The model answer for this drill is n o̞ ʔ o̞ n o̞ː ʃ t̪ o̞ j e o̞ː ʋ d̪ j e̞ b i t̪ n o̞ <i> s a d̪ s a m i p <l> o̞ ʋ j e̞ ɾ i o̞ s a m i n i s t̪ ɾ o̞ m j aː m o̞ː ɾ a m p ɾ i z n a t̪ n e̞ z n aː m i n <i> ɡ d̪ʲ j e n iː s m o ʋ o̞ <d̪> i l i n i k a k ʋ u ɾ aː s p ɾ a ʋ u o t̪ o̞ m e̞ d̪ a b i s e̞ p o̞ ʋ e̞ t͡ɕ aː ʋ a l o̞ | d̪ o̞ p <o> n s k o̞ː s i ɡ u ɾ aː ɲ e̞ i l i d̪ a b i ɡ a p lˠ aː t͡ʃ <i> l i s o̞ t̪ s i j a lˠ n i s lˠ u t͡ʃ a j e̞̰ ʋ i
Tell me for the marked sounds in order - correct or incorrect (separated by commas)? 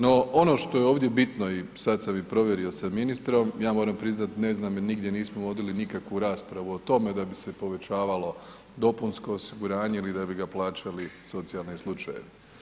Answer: correct, incorrect, correct, correct, incorrect, incorrect